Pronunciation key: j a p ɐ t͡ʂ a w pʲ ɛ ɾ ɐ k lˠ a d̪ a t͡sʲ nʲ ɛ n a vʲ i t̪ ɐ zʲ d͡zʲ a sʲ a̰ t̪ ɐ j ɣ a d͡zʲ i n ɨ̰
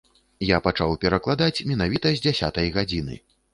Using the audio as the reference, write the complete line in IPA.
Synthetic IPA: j a p a t͡ʂ a w pʲ ɛ ɾ ɐ k lˠ a d̪ a t͡sʲ mʲ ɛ n a vʲ i t̪ ɐ zʲ d͡zʲ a sʲ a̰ t̪ ɐ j ɣ a d͡zʲ i n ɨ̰